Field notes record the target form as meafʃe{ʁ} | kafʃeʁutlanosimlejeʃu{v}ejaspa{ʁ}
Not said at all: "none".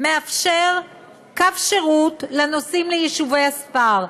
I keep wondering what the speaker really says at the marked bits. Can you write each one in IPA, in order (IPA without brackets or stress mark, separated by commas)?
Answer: ʁ, v, ʁ